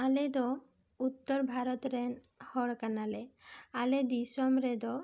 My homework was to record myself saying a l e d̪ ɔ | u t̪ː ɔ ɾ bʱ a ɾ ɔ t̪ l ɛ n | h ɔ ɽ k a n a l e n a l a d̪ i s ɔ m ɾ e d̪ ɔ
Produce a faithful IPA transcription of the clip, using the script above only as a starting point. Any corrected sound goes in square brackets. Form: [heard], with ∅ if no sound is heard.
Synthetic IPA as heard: a l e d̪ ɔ | u t̪ː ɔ ɾ bʱ a ɾ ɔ t̪ [ɾ] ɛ n | h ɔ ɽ k a n a l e [∅] a l [e] d̪ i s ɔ m ɾ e d̪ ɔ